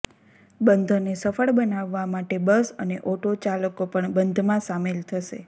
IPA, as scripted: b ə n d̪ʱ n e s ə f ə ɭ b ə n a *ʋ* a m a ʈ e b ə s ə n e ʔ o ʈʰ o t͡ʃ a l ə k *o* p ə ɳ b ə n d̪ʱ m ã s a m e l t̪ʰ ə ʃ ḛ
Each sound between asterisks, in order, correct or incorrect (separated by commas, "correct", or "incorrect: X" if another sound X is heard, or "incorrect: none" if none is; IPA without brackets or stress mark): incorrect: ʋː, correct